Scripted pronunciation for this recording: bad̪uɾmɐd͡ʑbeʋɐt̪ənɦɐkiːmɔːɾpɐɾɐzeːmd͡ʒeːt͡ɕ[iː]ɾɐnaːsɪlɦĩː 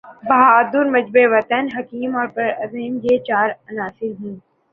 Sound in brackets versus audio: incorrect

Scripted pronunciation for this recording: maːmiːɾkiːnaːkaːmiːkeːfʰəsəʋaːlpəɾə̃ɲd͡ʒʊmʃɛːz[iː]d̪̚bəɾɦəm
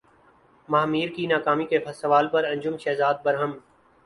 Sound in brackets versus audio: incorrect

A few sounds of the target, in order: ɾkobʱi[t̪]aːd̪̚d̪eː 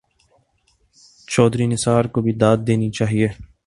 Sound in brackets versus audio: incorrect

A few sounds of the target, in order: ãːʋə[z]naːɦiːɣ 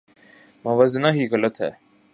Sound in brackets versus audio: correct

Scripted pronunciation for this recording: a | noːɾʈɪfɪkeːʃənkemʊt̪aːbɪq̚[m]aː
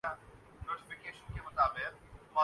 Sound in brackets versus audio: correct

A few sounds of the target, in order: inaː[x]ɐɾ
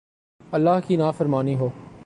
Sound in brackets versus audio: incorrect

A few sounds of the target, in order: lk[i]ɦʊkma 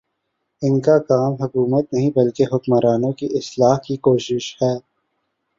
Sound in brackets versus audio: incorrect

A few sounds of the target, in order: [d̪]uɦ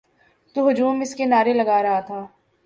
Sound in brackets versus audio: incorrect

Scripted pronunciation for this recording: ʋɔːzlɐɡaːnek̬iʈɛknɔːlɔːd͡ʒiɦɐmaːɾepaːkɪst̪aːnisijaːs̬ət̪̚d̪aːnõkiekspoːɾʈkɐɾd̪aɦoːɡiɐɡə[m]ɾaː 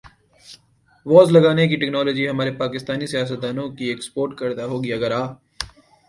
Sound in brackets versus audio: incorrect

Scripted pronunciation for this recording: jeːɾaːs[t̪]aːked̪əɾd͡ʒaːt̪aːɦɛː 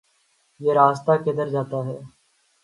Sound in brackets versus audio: correct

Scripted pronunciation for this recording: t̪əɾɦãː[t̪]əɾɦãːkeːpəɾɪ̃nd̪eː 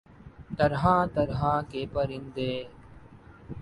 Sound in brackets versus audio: correct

